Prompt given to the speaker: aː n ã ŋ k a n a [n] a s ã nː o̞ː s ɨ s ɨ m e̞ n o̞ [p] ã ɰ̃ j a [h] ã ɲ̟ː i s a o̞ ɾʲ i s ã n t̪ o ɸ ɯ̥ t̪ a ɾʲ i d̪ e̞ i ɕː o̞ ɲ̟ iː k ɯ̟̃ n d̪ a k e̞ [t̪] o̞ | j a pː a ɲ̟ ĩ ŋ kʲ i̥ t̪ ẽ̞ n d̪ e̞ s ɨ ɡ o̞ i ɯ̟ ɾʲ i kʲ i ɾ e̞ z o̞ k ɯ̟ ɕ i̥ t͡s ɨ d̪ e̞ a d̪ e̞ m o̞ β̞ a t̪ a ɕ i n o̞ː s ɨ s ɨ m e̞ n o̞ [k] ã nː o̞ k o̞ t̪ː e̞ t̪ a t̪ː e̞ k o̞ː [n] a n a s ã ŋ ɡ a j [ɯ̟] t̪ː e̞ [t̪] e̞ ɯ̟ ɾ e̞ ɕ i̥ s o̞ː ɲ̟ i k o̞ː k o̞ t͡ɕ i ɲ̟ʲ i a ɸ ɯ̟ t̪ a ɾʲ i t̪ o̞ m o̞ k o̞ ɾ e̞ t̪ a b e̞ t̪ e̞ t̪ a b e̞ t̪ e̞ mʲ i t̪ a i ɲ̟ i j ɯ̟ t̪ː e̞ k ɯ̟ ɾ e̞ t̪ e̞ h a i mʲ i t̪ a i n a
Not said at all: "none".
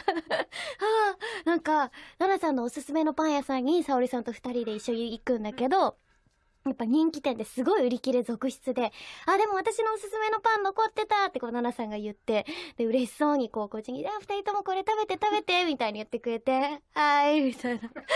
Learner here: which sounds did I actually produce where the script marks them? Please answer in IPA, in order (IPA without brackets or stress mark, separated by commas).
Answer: n, p, s, d̪, p, n, ɯ̟, d̪